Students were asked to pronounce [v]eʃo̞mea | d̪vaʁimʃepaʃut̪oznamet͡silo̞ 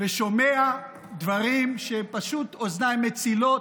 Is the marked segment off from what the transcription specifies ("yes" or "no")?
no